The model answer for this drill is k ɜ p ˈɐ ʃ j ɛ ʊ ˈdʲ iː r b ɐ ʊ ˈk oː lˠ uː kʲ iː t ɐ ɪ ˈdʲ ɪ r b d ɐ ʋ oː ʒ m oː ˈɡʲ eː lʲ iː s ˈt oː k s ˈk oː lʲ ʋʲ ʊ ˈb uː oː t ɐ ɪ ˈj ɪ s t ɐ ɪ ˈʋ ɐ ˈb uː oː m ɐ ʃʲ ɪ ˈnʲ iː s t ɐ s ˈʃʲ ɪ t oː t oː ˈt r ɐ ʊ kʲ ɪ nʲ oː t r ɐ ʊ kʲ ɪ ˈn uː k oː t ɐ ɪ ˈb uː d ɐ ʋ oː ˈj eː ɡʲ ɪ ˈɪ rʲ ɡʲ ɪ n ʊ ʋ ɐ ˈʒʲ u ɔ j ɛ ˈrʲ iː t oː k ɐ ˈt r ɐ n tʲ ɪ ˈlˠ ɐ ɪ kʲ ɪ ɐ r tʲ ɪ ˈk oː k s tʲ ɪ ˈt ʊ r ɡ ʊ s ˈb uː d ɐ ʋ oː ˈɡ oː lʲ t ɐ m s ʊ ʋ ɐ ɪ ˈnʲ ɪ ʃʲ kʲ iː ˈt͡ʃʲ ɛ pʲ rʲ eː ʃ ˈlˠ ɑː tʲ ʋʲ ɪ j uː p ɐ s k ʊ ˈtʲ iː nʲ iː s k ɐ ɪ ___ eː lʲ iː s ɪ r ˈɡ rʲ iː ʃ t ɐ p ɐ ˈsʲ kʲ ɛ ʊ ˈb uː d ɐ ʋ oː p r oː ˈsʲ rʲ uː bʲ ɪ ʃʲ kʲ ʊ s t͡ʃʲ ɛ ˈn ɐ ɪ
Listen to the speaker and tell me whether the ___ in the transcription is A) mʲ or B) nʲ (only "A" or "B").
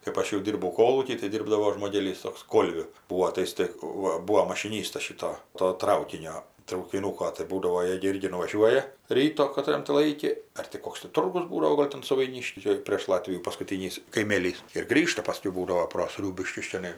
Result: A